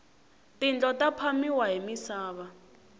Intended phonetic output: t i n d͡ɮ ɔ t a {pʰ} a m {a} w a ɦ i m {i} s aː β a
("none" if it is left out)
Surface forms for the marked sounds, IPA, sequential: pʰ, i, i

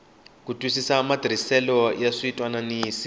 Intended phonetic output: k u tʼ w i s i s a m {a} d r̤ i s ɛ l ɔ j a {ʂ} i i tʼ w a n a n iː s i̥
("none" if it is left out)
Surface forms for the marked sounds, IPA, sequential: a, ʂ

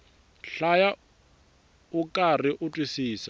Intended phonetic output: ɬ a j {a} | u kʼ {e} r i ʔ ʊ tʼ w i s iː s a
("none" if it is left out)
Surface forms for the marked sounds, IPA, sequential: a, a

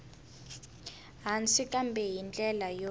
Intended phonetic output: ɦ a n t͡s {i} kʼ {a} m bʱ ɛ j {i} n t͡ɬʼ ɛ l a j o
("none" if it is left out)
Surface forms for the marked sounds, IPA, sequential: i, a, i

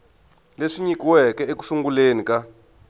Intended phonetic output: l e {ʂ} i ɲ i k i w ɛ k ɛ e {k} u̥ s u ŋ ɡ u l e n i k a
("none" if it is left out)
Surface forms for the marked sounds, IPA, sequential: ʂ, k

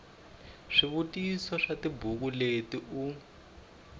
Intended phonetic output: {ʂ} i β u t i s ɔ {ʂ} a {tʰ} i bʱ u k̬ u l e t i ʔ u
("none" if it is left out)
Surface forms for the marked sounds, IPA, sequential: ʂ, ʂ, t

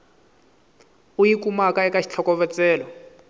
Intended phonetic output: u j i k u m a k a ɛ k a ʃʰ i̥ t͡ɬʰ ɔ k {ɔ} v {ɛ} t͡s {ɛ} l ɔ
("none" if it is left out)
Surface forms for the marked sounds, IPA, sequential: ɔ, ɛ, ɛː

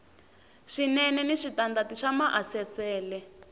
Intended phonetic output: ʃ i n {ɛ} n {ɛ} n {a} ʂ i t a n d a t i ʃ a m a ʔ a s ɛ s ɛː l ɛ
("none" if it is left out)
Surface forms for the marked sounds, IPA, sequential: ɛ, ɛ, i

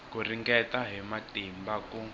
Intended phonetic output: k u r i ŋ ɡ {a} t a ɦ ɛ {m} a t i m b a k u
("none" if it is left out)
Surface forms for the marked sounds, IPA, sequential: ɛ, m

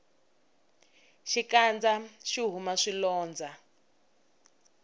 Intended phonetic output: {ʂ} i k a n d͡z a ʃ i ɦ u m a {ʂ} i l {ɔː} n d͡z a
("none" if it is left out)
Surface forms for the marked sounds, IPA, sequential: ʃ, ʂ, ɔː

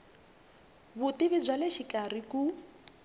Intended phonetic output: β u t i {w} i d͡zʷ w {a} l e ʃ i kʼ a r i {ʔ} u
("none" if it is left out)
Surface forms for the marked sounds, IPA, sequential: β, a, k

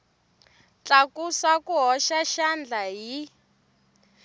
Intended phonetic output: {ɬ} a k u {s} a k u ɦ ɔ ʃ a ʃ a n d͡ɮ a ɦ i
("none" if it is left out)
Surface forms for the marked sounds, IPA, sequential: t͡ɬ, s

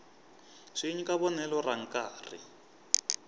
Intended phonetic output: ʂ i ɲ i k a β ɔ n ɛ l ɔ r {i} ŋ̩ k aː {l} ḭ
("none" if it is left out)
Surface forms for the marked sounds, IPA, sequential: a, r

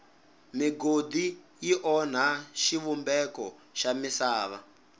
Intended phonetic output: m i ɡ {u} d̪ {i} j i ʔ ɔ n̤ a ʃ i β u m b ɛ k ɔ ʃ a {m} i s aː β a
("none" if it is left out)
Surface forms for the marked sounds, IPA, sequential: o, i, m

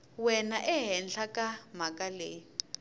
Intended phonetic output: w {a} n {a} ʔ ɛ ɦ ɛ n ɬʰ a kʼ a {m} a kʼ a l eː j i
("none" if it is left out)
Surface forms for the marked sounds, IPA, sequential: ɛ, a, m

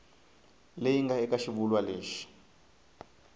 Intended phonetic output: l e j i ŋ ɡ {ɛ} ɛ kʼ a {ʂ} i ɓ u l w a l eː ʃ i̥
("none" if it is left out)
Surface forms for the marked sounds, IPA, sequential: a, ʃ

